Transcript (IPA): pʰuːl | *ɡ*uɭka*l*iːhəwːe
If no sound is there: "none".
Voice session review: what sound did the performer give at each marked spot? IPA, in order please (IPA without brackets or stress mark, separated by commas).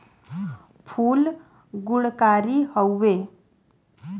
ɡ, ɾ